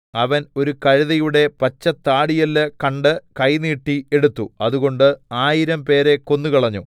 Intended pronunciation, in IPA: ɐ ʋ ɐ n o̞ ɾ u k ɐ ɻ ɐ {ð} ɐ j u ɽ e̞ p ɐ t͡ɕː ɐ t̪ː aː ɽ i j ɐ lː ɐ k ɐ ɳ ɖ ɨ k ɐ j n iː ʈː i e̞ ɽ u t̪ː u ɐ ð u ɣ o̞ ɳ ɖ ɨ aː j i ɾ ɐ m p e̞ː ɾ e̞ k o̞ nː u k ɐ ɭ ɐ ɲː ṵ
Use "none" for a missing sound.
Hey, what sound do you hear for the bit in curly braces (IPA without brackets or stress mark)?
ð